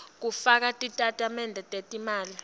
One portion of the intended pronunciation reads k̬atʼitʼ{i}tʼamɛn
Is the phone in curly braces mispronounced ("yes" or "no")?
yes